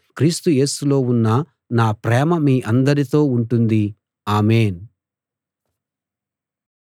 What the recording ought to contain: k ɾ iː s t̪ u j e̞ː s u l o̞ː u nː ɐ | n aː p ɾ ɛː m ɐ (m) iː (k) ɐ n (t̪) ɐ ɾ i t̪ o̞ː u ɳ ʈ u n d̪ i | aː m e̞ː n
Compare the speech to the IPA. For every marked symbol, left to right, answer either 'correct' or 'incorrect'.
correct, incorrect: ʔ, incorrect: d̪

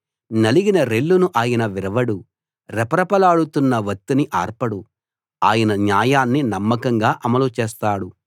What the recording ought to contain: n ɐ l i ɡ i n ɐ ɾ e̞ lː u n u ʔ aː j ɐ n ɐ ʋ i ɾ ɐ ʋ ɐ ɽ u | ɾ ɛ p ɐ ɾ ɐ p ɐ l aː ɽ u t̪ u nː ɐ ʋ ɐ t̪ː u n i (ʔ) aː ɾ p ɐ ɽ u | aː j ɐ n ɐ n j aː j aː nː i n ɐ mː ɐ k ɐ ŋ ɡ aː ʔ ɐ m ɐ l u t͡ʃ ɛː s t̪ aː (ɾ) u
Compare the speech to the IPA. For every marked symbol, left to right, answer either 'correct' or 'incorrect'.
correct, incorrect: ɽ

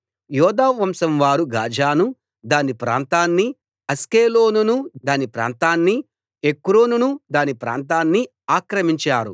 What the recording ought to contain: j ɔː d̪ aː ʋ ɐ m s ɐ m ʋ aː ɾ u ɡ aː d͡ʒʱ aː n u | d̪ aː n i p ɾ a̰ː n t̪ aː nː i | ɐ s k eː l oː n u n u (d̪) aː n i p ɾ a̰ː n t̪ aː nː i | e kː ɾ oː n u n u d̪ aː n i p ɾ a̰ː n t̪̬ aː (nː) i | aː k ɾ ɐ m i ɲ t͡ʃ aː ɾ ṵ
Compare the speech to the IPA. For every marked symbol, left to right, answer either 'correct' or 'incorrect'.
correct, correct

